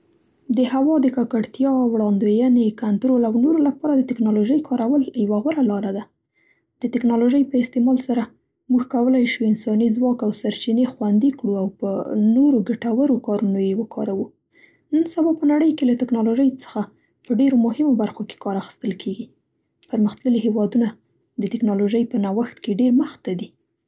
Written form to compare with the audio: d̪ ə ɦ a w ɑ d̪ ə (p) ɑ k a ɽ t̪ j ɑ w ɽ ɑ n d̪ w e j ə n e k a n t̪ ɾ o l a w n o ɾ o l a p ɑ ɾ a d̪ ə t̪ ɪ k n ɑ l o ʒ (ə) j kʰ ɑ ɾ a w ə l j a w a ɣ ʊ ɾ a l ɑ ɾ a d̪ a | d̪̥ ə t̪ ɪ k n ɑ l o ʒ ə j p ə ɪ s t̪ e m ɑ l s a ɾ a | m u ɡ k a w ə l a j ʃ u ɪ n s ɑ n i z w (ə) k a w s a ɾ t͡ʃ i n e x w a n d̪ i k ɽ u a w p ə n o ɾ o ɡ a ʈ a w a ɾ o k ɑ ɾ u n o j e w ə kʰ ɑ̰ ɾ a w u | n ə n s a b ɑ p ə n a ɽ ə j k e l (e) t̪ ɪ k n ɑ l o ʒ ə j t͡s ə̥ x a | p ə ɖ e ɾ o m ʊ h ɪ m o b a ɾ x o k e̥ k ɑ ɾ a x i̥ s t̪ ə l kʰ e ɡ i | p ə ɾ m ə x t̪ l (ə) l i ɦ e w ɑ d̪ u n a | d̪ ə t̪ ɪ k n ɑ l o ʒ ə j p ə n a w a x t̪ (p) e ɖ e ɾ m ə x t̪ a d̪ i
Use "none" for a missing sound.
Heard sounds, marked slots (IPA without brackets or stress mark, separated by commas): k, ə, ɑ, a, ə, k